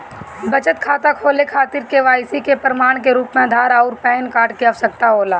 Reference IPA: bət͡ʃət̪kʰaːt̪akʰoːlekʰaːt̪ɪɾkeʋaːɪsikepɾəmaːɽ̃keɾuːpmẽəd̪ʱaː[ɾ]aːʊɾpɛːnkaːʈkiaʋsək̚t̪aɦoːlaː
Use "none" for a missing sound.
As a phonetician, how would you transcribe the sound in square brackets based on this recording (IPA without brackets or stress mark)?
ɾ